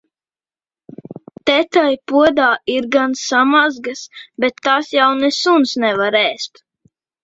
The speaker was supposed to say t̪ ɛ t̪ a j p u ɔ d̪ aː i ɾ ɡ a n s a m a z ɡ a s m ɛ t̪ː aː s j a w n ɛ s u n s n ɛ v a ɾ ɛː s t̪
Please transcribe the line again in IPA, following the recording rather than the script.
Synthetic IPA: t̪ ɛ t̪ a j p u ɔ d̪ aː i ɾ ɡ a n s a m a z ɡ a s b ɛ t̪ː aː s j a w n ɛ s u n s n ɛ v a ɾ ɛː s t̪